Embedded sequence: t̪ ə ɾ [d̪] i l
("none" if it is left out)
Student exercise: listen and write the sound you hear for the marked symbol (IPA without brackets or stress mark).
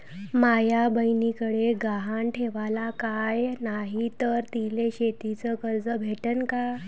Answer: t̪